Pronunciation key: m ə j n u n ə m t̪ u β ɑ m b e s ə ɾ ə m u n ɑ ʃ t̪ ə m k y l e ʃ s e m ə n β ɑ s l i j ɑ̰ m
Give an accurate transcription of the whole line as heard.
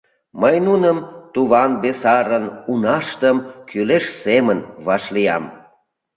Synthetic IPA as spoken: m ə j n u n ə m t̪ u β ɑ n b e s ɑ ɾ ə n u n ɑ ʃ t̪ ə m k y l e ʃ s e m ə n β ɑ ʃ l i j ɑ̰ m